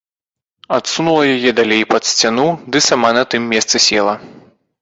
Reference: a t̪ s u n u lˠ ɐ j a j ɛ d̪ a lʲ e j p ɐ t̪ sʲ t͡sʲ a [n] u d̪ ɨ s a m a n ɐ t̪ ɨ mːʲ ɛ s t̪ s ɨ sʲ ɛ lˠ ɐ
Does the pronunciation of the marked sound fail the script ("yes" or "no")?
no